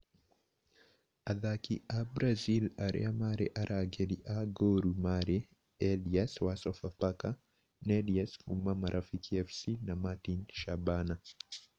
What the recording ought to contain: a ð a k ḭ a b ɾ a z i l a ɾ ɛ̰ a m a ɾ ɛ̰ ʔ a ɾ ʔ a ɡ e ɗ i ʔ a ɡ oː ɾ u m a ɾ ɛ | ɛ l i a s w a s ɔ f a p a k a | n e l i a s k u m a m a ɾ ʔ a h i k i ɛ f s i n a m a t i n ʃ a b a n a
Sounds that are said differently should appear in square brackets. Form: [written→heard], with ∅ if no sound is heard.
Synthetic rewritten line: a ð a k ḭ a b ɾ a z i l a ɾ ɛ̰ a m a ɾ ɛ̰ ʔ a ɾ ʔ a ɡ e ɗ i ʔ a ɡ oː ɾ u m a ɾ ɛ | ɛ l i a s w a s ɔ f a p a k a | n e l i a s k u m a m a ɾ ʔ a [h→f] i k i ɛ f s i n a m a t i n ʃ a b a n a